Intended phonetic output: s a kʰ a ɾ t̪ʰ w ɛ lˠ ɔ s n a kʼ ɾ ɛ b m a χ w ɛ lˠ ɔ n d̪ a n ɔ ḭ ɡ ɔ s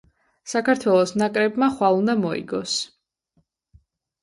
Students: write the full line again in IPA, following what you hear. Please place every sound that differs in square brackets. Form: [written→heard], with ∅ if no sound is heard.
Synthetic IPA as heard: s a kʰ a ɾ t̪ʰ w ɛ lˠ ɔ s n a kʼ ɾ ɛ b m a χ w [ɛ→a] lˠ [ɔ→u] n d̪ a [n→m] ɔ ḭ ɡ ɔ s